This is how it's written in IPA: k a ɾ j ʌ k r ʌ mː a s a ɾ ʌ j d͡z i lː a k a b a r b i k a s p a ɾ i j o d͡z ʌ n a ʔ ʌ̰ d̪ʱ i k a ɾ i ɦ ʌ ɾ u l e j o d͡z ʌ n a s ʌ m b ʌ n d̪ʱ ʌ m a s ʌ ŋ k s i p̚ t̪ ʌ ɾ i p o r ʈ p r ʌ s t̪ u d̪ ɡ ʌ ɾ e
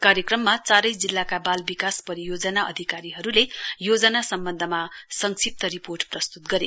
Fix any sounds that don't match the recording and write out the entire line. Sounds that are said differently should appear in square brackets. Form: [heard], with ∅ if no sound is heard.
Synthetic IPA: k a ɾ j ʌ k r ʌ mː a [t͡s] a ɾ ʌ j d͡z i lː a k a b a [l] b i k a s p [ʌ] ɾ i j o d͡z ʌ n a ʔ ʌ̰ d̪ʱ i k a ɾ i ɦ ʌ ɾ u l e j o d͡z ʌ n a s ʌ m b ʌ n d̪ʱ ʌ m a s ʌ ŋ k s i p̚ t̪ ʌ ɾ i p o r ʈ p r ʌ s t̪ u [t̪] ɡ ʌ ɾ e